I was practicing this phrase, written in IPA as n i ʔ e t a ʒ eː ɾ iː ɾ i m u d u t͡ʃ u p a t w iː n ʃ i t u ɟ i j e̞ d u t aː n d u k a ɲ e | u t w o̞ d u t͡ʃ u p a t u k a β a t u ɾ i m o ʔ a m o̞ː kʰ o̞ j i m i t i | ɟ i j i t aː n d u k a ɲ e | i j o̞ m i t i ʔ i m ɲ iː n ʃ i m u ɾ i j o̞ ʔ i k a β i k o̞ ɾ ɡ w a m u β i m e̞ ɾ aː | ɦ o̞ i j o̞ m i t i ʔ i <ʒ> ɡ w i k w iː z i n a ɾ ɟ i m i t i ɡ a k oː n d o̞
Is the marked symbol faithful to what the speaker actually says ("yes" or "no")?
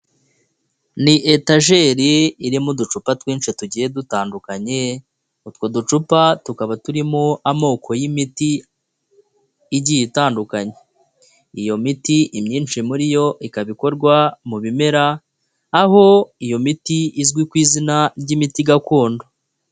no